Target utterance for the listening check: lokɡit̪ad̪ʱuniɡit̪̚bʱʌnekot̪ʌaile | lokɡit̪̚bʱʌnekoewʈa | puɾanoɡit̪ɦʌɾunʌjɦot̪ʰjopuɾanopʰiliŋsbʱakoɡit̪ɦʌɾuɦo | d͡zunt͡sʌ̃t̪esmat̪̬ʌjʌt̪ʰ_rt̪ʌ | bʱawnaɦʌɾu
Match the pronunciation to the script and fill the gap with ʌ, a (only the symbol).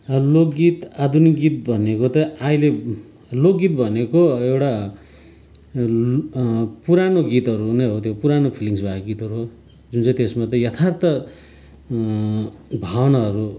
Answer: a